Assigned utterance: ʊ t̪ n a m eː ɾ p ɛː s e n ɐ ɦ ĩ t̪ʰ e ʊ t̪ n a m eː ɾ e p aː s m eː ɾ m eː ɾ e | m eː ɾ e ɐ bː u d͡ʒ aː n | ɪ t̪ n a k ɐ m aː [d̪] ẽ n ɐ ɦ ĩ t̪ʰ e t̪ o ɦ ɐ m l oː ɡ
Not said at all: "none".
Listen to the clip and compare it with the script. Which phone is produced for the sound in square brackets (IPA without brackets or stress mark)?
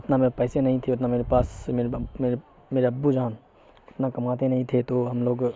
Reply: t̪